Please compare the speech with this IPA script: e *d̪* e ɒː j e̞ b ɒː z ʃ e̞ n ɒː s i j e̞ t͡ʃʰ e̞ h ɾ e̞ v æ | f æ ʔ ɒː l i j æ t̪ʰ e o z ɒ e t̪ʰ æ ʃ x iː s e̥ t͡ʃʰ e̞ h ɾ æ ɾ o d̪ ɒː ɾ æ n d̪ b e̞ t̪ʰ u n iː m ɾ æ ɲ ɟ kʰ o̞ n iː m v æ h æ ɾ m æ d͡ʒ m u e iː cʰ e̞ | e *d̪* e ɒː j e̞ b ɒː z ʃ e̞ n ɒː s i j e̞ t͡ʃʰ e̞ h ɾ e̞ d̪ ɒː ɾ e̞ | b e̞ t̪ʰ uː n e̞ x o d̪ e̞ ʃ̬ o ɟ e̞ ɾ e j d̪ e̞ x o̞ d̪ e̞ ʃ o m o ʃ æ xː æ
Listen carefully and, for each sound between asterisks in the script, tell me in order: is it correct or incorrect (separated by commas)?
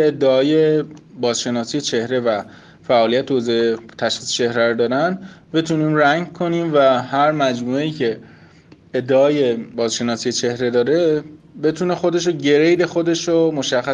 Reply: incorrect, incorrect